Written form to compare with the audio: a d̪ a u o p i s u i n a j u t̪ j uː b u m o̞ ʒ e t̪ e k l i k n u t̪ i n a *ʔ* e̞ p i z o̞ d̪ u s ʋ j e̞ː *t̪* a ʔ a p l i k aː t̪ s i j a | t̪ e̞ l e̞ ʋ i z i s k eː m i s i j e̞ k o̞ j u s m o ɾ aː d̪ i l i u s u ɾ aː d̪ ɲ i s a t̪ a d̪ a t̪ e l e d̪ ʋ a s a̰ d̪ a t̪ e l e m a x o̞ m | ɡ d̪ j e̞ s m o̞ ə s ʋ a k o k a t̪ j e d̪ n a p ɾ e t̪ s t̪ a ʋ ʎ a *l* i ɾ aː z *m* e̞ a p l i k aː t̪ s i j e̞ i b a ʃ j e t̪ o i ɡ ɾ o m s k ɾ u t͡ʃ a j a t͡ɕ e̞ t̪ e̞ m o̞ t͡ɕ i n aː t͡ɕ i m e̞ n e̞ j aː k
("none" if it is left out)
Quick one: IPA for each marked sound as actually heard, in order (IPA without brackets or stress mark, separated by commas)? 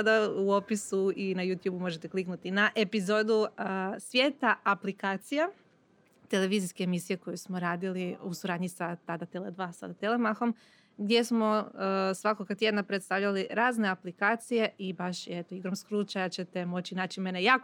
ʔ, t̪, l, n